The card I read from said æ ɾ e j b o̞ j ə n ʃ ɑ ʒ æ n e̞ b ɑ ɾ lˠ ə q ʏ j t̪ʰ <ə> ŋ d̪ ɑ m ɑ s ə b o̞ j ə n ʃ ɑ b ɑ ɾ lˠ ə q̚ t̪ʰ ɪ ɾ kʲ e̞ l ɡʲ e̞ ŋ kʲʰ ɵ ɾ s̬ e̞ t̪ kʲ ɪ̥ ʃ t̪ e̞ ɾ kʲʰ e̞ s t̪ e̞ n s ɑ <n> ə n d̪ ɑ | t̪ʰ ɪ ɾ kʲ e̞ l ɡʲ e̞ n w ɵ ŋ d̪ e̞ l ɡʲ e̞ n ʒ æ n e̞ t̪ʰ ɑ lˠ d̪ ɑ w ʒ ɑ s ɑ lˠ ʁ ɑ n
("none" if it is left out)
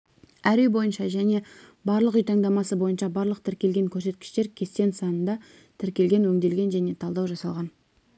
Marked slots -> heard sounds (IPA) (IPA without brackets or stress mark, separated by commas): ɑ, n